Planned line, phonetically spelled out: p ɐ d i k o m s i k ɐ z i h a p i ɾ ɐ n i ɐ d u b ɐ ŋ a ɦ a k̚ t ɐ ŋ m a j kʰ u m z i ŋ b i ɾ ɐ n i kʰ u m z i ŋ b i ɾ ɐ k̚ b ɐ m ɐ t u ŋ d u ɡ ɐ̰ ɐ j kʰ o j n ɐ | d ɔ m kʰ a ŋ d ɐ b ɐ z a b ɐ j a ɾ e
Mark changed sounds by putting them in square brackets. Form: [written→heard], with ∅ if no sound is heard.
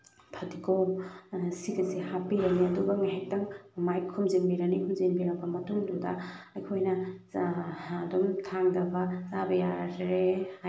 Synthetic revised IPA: [p→pʰ] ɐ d i k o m s i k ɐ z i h a p i ɾ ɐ n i ɐ d u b ɐ ŋ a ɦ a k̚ t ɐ ŋ m a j kʰ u m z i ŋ b i ɾ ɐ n i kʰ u m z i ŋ b i ɾ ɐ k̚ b ɐ m ɐ t u ŋ d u [ɡ→d] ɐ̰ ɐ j kʰ o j n ɐ | d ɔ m [kʰ→tʰ] a ŋ d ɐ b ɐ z a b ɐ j a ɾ e